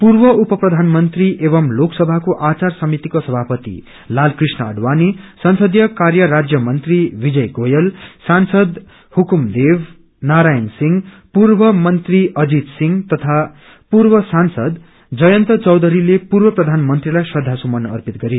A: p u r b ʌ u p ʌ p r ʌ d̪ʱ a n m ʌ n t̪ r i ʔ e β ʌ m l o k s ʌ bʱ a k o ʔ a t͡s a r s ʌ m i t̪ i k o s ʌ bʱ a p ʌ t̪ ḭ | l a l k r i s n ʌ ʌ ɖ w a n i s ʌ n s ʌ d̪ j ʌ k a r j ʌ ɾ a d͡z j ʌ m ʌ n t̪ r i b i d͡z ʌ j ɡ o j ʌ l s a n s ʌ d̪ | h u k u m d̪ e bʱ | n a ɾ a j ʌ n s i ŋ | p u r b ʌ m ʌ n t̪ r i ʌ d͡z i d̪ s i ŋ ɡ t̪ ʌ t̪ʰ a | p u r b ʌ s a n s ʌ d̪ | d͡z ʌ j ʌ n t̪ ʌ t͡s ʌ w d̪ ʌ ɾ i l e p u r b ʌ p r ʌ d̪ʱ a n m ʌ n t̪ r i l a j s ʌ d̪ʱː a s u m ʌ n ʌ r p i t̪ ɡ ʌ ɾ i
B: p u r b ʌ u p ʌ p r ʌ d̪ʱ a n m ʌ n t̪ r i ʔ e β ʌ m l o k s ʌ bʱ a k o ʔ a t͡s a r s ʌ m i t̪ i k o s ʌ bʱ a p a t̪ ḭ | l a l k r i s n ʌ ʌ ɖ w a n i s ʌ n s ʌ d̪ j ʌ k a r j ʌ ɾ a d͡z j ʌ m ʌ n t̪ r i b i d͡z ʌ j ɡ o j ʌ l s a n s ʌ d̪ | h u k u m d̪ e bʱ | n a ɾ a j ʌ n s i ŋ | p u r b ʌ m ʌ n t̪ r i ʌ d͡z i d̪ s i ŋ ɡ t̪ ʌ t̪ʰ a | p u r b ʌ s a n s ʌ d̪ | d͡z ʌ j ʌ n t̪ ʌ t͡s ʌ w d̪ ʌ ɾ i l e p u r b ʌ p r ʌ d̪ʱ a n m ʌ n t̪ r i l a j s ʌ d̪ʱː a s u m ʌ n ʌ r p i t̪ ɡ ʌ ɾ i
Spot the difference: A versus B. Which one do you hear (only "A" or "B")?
A